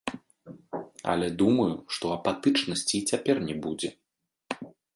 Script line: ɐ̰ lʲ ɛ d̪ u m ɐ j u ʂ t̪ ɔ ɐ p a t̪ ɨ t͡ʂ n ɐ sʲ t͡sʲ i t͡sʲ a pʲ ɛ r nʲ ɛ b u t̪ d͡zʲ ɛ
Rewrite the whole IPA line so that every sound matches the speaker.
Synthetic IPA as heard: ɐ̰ lʲ ɛ d̪ u m ɐ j u ʂ t̪ ɔ ɐ p a t̪ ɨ t͡ʂ n ɐ sʲ t͡sʲ i t͡sʲ a pʲ ɛ r nʲ ɛ b u d͡zʲ ɛ